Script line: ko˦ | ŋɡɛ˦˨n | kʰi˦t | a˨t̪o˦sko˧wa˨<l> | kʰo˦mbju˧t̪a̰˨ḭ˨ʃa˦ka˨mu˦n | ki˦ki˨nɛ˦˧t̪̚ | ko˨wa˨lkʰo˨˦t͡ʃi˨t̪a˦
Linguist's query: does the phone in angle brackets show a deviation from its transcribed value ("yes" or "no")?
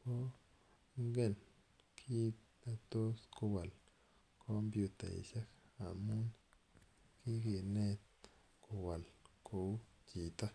no